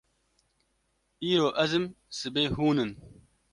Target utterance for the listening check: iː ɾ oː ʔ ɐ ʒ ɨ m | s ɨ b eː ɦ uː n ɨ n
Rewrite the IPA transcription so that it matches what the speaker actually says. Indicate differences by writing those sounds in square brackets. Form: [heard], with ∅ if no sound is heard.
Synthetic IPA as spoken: iː ɾ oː ʔ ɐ [z] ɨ m | s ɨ b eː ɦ uː n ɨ n